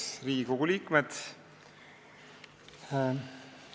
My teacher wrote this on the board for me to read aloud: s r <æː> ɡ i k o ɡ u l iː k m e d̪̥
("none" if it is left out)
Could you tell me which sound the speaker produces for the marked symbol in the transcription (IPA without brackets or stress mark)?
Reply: iː